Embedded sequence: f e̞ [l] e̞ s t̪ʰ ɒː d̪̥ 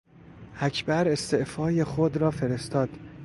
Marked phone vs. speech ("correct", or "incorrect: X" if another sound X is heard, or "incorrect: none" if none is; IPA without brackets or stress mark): incorrect: ɾ